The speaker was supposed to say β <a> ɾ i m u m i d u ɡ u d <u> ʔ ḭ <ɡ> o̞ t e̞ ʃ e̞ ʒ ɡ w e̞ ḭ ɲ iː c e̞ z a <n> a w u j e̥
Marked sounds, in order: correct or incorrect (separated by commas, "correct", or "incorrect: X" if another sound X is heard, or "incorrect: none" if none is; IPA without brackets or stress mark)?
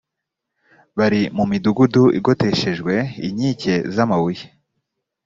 correct, correct, correct, incorrect: m